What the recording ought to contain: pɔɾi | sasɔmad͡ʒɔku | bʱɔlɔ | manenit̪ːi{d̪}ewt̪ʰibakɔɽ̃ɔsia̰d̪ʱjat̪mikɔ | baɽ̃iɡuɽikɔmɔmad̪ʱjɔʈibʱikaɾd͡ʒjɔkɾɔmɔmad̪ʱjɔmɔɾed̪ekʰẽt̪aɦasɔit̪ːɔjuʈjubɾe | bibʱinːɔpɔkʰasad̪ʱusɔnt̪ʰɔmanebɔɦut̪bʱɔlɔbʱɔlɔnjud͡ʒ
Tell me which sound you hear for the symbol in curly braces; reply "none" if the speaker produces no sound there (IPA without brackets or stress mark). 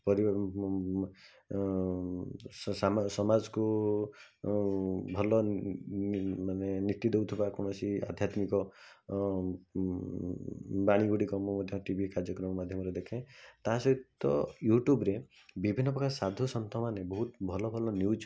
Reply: d̪